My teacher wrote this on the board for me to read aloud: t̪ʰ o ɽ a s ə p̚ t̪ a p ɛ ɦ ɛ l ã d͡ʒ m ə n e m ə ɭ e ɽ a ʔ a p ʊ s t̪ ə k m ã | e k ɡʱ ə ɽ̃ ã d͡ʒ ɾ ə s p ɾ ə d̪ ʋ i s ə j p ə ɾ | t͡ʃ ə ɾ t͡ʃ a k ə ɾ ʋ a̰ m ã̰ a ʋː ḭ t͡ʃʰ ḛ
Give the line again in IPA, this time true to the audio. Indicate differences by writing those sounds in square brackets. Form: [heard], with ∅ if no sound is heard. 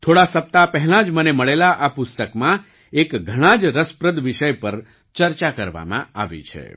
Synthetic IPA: t̪ʰ o ɽ a s ə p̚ t̪ a p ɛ ɦ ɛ l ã d͡ʒ m ə n e m ə ɭ e [l] a ʔ a p ʊ s t̪ ə k m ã | e k ɡʱ ə ɽ̃ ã d͡ʒ ɾ ə s p ɾ ə d̪ ʋ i [ʃ] ə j p ə ɾ | t͡ʃ ə ɾ t͡ʃ a k ə ɾ ʋ a̰ m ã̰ a [ʋ] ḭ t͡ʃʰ ḛ

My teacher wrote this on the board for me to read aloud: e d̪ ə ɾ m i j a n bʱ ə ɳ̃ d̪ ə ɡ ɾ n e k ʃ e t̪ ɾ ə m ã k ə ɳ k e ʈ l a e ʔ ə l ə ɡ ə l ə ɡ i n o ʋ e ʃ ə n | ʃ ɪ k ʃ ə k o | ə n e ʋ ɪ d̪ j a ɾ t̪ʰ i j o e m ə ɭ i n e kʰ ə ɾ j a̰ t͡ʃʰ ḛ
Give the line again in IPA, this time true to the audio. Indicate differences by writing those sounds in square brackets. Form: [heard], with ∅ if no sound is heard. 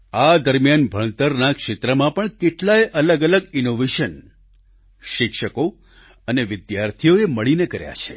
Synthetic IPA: [a] d̪ ə ɾ m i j a n bʱ ə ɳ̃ [t̪] ə [∅] ɾ n [a] k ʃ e t̪ ɾ ə m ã [p] ə ɳ k e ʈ l a e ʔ ə l ə ɡ ə l ə ɡ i n o ʋ e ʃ ə n | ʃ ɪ k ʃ ə k o | ə n e ʋ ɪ d̪ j a ɾ t̪ʰ i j o e m ə ɭ i n e [k] ə ɾ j a̰ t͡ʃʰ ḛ

